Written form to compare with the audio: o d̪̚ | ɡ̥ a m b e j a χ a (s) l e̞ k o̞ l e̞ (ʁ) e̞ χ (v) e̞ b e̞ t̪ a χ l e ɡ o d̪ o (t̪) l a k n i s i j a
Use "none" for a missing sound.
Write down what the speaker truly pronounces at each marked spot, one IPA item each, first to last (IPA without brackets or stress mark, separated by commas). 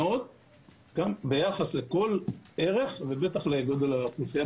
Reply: s, ʁ, v, none